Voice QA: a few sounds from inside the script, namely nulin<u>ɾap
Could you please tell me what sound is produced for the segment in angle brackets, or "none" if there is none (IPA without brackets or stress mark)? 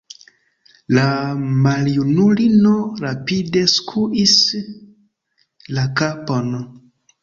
o